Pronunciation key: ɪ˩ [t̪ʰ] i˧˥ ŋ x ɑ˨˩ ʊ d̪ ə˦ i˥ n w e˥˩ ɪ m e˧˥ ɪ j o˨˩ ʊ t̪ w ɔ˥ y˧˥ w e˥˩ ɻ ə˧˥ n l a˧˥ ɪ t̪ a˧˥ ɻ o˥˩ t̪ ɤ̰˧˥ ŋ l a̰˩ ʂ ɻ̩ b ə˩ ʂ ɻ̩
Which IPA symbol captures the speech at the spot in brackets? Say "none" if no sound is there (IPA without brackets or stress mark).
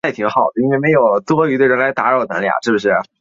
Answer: t̪ʰ